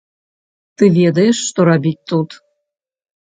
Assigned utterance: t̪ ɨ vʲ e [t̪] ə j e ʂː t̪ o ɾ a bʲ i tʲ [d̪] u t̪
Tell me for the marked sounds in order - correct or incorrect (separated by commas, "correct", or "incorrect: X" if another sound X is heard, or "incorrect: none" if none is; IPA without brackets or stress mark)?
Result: incorrect: d̪, incorrect: t̪